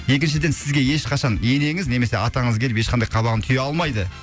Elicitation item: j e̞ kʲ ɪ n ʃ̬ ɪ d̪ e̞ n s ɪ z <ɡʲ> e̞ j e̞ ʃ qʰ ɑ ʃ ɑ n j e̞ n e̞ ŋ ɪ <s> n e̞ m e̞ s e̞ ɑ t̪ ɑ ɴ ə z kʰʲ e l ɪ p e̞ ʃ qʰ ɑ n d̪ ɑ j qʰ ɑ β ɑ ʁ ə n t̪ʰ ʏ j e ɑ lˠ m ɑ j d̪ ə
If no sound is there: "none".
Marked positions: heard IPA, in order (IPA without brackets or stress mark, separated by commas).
ɡʲ, z